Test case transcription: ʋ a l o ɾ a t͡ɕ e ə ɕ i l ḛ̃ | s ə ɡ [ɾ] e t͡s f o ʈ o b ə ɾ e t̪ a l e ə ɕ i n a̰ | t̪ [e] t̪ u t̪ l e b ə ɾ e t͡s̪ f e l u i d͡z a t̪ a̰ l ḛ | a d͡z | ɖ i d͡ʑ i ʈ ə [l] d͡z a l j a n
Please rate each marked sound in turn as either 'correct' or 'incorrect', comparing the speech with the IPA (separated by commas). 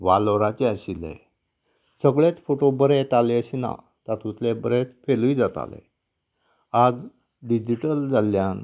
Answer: incorrect, incorrect, correct